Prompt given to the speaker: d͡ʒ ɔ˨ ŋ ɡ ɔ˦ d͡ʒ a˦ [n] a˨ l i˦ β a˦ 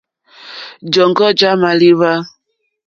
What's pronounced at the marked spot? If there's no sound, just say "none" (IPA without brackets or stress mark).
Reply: m